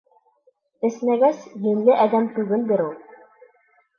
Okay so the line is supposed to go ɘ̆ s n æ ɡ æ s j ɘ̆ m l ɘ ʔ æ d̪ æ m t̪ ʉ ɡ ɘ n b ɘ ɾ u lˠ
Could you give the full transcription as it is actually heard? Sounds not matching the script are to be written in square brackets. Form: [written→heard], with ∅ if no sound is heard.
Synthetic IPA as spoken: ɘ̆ s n æ ɡ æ s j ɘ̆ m l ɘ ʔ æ d̪ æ m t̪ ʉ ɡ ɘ n b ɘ ɾ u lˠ